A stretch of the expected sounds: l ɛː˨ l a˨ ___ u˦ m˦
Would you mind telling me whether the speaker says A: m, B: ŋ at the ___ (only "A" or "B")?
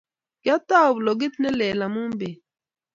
A